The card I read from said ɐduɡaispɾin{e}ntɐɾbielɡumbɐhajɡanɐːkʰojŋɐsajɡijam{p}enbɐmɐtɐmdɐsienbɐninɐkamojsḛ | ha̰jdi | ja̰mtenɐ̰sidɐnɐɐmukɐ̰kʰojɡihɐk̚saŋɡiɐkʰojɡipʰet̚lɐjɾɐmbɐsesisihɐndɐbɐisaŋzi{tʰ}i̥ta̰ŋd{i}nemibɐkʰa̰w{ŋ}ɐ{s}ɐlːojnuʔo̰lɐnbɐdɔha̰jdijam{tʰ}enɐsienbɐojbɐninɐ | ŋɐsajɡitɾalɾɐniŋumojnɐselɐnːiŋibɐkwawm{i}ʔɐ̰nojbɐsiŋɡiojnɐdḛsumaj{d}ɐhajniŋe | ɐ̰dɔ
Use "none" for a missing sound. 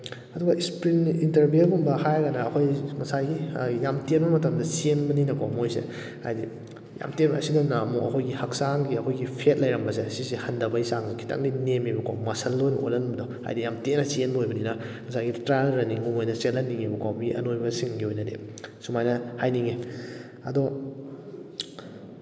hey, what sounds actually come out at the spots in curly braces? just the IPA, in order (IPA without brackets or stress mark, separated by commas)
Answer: i, t, kʰ, i, m, s, t, i, n